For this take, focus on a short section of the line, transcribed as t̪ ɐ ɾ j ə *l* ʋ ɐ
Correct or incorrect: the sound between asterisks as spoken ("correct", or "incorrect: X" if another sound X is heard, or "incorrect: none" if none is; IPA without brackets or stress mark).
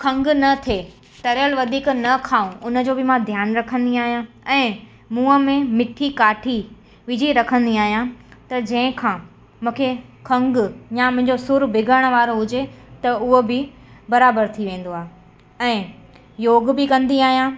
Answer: correct